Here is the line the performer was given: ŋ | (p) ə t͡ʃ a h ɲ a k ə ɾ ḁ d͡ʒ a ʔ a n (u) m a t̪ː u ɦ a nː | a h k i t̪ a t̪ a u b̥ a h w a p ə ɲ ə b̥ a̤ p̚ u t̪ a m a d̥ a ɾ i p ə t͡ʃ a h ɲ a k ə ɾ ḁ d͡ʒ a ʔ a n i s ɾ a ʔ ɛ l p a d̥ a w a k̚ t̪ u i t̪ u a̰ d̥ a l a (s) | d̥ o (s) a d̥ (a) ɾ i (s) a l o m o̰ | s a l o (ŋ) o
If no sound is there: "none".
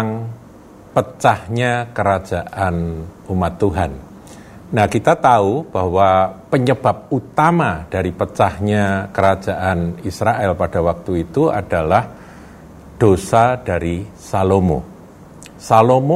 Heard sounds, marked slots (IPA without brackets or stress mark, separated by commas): p, u, h, s, a, s, m